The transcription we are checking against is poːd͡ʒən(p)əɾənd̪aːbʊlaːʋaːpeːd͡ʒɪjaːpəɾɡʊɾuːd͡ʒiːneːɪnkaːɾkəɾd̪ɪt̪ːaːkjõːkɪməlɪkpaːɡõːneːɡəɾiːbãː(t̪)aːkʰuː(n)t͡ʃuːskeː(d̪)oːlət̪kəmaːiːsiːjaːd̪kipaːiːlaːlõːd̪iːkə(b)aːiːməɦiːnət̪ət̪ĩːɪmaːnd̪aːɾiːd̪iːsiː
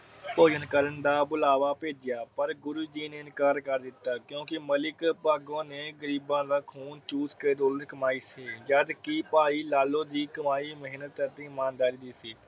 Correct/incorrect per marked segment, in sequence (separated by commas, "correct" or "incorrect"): incorrect, incorrect, correct, correct, incorrect